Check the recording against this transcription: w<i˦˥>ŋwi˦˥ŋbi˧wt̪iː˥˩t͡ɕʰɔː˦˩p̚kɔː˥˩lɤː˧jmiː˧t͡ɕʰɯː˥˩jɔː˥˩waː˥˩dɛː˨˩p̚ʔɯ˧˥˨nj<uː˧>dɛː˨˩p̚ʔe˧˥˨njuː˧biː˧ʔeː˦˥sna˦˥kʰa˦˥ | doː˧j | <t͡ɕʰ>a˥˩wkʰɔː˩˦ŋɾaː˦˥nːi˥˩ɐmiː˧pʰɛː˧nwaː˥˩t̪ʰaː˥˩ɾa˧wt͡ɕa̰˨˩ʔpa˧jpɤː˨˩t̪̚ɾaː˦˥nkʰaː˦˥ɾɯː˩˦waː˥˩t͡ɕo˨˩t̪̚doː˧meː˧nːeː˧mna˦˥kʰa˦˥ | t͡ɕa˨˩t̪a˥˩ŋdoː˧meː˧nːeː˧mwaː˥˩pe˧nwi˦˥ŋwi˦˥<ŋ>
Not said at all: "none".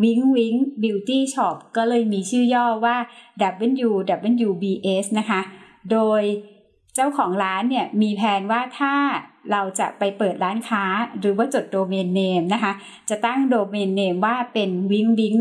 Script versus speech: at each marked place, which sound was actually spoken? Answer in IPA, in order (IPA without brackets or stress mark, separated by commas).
i˦˥, uː˧, t͡ɕ, ŋ